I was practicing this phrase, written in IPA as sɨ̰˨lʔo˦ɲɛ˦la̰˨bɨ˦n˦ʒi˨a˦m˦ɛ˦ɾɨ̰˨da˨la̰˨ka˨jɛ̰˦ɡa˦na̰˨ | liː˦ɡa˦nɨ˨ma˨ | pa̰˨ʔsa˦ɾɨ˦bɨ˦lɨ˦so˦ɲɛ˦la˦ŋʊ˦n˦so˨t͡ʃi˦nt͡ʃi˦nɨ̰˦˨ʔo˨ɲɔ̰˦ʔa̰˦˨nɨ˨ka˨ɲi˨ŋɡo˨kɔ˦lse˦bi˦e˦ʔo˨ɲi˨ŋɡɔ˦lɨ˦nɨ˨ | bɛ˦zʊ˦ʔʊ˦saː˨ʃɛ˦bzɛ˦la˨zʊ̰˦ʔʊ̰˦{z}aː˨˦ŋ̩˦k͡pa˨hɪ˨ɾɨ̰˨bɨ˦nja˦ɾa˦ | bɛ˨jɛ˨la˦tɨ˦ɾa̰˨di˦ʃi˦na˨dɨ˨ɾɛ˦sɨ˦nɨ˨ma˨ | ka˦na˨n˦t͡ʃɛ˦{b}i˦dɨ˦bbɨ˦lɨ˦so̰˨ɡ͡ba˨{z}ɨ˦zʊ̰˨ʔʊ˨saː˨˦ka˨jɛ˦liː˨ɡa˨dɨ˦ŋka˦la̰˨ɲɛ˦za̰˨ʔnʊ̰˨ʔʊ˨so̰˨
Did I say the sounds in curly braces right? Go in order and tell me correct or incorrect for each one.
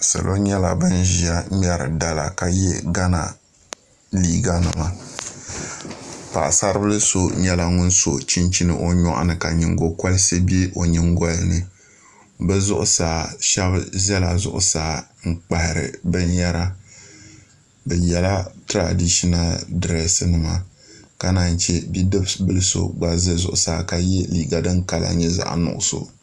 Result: incorrect: s, correct, correct

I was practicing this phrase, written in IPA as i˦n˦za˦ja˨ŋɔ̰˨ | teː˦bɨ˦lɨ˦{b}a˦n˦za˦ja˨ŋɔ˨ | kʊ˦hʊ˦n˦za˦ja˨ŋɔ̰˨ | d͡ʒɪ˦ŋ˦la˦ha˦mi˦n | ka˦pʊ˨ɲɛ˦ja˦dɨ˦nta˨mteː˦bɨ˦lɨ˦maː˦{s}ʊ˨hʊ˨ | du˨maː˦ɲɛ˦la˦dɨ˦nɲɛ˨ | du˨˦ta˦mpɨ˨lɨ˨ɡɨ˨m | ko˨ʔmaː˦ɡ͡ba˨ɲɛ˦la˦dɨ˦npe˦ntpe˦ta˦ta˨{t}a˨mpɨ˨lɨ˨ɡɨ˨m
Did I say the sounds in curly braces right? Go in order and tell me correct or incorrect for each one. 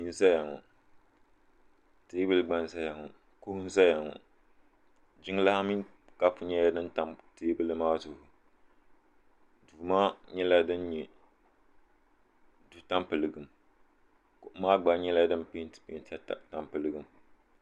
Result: incorrect: ɡ͡b, incorrect: z, correct

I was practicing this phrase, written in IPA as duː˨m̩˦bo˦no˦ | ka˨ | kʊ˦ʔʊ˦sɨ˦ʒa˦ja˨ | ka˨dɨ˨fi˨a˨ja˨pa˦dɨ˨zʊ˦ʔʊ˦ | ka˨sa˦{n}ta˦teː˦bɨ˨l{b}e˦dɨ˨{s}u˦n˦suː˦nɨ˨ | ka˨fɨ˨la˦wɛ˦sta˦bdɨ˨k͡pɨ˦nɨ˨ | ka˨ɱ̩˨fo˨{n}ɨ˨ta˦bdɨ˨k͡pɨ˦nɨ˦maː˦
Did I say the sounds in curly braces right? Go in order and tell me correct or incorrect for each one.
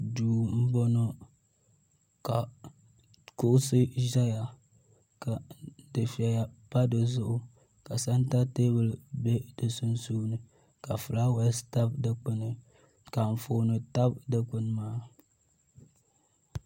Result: correct, correct, correct, correct

